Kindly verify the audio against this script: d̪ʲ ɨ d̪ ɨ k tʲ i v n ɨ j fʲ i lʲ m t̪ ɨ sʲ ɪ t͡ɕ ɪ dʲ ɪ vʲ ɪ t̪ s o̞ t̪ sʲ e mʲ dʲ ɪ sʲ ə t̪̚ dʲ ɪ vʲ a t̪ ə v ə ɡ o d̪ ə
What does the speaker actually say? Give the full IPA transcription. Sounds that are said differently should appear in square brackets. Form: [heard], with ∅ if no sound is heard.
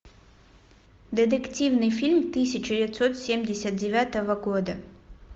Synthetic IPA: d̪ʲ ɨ d̪ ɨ k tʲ i v n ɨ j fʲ i lʲ m t̪ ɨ sʲ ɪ t͡ɕ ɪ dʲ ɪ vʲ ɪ t̪ s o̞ t̪ sʲ e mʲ dʲ ɪ sʲ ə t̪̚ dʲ ɪ vʲ a t̪ ə v ə ɡ o d̪ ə